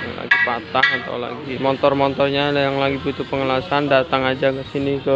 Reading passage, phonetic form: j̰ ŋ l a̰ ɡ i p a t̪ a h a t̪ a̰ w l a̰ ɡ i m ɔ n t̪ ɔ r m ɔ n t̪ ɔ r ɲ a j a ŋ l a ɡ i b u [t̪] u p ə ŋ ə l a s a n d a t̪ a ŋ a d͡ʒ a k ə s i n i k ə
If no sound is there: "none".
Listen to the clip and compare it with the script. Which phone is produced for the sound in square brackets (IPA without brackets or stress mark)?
t̪